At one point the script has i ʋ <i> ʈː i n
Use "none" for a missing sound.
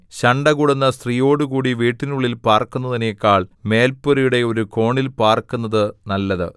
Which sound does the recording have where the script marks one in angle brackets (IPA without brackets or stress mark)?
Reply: iː